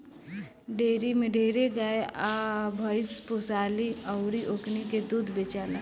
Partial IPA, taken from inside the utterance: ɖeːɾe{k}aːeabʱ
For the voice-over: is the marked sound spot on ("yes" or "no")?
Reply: no